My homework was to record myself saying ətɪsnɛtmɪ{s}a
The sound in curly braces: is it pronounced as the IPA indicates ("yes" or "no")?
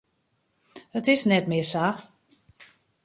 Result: yes